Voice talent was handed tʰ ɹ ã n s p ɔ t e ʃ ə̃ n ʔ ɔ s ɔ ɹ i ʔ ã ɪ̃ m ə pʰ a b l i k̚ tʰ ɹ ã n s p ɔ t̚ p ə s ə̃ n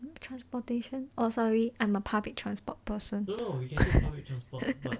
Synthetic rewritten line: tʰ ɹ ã n s p ɔ t e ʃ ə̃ n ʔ ɔ s ɔ ɹ i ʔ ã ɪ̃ m ə pʰ a b l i k̚ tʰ ɹ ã n s p ɔ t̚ p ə s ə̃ n